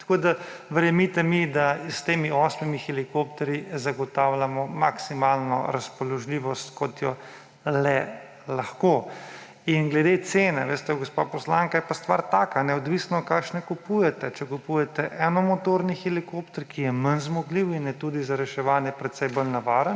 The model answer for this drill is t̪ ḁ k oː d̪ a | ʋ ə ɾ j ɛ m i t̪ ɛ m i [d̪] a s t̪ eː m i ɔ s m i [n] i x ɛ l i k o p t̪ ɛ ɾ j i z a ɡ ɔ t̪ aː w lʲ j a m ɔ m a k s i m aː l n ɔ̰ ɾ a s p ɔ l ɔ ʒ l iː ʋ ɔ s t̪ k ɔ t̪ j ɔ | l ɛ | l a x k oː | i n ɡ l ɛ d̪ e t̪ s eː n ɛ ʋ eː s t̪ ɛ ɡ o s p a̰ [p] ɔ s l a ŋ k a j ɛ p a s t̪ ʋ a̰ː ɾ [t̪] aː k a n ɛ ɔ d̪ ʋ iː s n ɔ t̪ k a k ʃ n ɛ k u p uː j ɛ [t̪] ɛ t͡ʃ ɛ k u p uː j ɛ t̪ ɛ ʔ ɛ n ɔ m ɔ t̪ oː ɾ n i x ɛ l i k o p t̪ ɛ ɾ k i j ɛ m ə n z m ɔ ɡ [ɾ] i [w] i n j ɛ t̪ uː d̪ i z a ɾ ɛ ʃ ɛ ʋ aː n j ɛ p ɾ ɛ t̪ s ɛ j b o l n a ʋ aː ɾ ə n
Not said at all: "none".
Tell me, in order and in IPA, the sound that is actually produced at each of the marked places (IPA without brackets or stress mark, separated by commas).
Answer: d̪, m, p, t̪, t̪, l, w